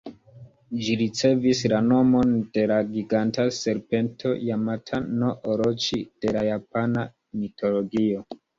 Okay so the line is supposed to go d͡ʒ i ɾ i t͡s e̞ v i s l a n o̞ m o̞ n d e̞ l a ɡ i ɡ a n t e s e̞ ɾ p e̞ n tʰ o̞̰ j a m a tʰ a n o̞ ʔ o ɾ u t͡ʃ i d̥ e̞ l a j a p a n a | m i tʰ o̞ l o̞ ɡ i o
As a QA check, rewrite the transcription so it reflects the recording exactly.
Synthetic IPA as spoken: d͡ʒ i ɾ i t͡s e̞ v i s l a n o̞ m o̞ n d e̞ l a ɡ i ɡ a n t a s e̞ ɾ p e̞ n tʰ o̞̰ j a m a tʰ a n o̞ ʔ o ɾ o t͡ʃ i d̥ e̞ l a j a p a n a | m i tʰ o̞ l o̞ ɡ i o